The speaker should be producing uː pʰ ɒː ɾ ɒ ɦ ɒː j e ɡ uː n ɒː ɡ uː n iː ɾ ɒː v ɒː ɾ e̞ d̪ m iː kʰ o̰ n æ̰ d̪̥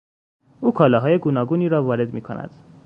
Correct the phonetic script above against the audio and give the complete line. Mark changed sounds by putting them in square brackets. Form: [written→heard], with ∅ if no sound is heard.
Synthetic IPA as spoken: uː [pʰ→kʰ] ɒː [ɾ→l] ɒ ɦ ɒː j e ɡ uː n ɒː ɡ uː n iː ɾ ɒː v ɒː ɾ e̞ d̪ m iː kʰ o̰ n æ̰ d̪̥